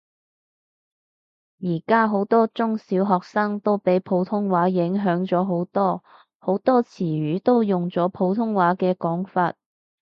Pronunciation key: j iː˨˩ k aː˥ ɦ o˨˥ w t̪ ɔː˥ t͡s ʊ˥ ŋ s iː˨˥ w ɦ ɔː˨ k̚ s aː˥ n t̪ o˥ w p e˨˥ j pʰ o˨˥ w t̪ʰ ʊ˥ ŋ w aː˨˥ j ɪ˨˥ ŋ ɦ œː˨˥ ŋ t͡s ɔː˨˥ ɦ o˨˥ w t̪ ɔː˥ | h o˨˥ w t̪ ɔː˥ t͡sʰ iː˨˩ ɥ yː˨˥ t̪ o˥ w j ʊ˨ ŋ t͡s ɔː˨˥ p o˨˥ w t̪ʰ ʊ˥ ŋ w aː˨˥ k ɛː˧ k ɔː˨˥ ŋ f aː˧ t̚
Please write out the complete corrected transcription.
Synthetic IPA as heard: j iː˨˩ k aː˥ ɦ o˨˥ w t̪ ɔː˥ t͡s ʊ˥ ŋ s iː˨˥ w ɦ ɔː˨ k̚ s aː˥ ŋ t̪ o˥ w p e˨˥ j pʰ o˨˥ w t̪ʰ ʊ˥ ŋ w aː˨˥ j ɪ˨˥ ŋ ɦ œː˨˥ ŋ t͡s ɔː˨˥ ɦ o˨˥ w t̪ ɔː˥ | h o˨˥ w t̪ ɔː˥ t͡sʰ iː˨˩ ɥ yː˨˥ t̪ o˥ w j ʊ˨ ŋ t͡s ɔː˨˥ pʰ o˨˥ w t̪ʰ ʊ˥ ŋ w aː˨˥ k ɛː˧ k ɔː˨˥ ŋ f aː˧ t̚